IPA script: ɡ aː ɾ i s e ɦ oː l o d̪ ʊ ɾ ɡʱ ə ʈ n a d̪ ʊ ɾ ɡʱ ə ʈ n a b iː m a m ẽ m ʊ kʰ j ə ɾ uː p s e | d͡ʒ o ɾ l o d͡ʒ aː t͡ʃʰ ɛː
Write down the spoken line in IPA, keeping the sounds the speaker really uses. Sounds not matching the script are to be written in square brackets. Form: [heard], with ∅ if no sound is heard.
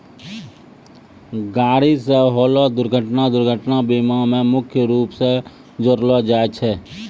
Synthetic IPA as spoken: ɡ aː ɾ i s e ɦ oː l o d̪ ʊ ɾ ɡʱ ə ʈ n a d̪ ʊ ɾ ɡʱ ə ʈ n a b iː m a m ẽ m ʊ kʰ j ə ɾ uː p s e | d͡ʒ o ɾ l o d͡ʒ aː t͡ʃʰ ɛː